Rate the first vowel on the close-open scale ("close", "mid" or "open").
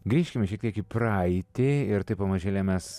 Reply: close